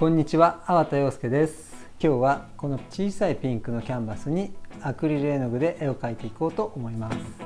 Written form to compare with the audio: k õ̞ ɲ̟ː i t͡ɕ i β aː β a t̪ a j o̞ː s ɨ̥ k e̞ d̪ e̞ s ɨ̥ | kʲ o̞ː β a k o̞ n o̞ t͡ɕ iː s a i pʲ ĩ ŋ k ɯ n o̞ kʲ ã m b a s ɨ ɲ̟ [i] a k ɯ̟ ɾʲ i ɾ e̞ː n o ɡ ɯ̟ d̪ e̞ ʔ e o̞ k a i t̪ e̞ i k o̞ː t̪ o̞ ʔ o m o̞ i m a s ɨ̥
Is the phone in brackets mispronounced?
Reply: no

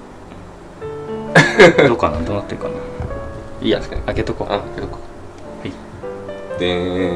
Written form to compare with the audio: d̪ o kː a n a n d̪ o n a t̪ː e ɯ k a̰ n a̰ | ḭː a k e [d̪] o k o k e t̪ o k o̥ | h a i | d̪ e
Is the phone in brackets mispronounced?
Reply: yes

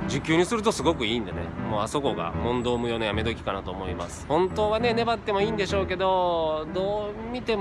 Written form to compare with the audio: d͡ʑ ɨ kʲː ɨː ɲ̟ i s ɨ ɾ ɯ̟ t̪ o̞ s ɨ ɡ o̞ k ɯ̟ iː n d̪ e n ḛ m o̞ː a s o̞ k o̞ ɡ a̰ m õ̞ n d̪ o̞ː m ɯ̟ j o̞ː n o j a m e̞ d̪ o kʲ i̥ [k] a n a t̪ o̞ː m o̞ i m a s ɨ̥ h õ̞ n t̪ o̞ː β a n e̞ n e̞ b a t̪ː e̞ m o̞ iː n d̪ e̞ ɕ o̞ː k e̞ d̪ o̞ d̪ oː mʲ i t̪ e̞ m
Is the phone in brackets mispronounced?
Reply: no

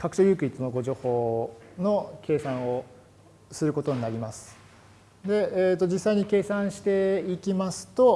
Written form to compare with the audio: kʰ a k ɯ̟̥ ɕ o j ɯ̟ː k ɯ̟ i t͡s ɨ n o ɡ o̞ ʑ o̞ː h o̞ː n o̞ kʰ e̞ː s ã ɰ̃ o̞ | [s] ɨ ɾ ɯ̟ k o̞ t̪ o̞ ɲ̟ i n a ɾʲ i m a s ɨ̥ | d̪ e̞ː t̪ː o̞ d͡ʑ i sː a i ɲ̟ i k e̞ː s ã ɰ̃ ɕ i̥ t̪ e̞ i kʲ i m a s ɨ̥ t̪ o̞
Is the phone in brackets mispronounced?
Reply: no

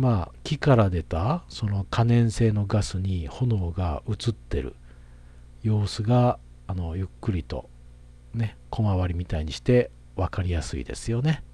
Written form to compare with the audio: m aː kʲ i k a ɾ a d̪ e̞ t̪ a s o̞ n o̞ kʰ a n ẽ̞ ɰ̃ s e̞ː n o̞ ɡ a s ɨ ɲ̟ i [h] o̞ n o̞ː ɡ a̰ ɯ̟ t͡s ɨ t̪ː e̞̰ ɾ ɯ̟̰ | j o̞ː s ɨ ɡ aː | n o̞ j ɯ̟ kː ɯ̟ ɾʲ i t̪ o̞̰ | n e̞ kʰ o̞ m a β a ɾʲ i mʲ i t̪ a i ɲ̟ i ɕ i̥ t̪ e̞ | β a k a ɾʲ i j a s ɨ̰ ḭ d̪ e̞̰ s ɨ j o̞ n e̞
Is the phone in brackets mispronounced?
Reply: no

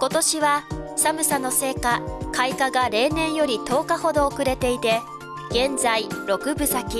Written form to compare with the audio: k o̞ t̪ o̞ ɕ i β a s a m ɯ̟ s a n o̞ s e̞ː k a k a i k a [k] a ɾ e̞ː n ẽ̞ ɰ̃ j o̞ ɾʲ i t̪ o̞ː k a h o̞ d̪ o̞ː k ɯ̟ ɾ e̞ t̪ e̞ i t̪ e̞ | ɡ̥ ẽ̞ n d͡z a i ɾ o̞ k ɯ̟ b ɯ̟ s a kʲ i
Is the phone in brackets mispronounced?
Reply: yes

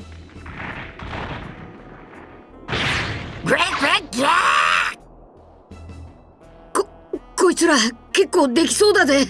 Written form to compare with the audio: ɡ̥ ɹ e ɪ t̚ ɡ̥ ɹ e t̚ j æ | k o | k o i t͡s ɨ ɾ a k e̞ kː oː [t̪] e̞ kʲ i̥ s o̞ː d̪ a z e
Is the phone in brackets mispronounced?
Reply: yes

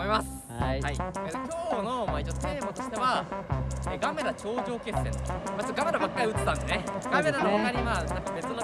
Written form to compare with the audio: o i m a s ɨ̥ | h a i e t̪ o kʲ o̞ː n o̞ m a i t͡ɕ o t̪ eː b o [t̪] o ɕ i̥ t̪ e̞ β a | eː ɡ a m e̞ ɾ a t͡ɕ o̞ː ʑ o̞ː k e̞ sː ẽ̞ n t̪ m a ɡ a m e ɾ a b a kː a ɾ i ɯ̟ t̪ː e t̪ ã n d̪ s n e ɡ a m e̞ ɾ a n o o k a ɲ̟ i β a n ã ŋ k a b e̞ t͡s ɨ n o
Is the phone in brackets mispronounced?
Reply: no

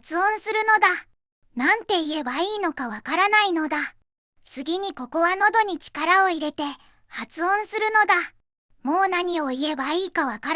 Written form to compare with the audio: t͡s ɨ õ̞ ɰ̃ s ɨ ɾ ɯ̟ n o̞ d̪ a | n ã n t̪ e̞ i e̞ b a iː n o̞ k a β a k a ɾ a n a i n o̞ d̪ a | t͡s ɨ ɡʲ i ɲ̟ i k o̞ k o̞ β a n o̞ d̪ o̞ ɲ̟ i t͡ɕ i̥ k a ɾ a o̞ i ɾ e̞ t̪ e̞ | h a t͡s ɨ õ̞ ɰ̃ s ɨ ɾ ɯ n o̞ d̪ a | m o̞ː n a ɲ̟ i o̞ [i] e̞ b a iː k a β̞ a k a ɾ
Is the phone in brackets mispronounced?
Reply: no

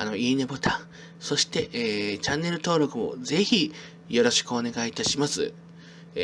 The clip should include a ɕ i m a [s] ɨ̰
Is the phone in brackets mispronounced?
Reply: no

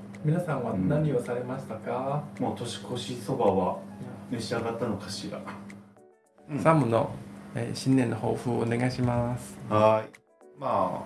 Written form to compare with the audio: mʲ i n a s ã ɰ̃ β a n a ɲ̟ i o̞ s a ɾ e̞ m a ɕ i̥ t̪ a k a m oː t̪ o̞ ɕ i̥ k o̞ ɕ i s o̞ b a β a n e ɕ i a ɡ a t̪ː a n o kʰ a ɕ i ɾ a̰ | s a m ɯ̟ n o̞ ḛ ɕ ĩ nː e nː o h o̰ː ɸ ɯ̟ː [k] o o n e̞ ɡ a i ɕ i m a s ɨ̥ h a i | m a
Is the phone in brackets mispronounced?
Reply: yes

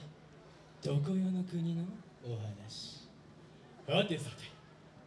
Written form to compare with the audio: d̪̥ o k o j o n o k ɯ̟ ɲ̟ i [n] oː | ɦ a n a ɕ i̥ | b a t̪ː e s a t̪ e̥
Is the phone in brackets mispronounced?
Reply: no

